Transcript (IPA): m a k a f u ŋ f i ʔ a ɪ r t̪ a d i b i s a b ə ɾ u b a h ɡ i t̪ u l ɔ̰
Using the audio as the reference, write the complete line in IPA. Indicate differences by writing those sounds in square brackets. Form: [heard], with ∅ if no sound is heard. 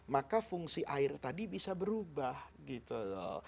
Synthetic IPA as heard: m a k a f u ŋ [s] i ʔ a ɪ r t̪ a d i b i s a b ə ɾ u b a h ɡ i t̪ u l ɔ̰